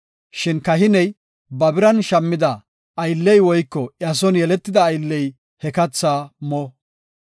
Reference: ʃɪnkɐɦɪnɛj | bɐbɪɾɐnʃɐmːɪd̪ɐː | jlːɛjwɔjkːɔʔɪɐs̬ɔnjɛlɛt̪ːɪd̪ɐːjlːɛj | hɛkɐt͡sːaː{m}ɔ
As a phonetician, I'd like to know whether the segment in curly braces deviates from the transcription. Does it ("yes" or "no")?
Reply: no